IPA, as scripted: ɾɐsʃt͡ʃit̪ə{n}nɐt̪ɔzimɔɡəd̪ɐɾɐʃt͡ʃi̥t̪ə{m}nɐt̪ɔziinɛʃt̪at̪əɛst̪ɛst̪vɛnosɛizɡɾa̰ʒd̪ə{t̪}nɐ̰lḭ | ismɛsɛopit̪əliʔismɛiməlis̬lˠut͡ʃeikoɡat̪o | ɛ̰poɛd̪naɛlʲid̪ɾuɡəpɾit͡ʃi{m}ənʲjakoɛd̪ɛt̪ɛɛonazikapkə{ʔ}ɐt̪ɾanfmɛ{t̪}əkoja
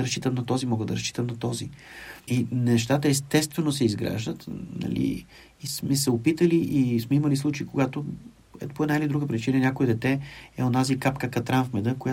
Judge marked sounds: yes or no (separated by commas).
no, yes, yes, no, no, no